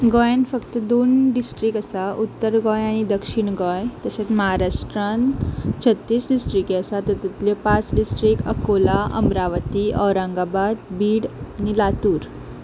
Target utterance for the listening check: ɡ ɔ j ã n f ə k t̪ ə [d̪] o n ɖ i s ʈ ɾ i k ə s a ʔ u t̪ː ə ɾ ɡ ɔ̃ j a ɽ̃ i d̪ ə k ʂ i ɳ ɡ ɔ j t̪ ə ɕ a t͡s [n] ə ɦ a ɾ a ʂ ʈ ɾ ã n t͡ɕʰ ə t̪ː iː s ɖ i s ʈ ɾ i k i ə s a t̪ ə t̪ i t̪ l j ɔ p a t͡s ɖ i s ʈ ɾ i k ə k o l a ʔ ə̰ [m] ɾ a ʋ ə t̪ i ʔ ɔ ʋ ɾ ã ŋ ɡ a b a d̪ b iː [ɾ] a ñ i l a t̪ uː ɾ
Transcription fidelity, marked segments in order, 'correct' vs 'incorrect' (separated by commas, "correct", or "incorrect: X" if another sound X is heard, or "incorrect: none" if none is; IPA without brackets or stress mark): correct, incorrect: m, correct, incorrect: ɽ